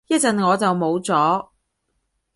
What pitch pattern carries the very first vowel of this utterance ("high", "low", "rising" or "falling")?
high